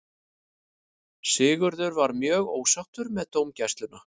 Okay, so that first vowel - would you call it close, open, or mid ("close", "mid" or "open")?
close